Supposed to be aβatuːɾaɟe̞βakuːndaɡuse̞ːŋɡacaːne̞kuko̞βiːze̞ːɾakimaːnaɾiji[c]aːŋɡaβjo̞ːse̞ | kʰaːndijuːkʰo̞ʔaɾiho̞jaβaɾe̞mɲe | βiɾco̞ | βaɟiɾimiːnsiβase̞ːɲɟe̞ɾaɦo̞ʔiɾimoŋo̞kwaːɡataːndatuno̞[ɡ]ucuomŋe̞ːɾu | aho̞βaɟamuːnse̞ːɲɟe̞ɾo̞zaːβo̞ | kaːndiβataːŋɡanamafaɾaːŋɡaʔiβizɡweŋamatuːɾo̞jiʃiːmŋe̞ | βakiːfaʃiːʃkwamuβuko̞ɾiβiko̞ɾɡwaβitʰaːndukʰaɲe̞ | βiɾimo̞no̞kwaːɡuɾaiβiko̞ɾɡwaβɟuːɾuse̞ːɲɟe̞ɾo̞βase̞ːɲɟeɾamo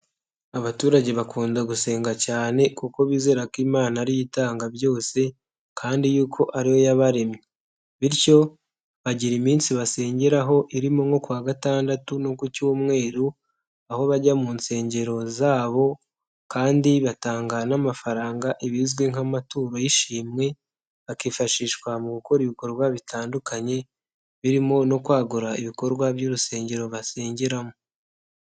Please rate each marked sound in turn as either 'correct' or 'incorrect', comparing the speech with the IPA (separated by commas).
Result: incorrect, incorrect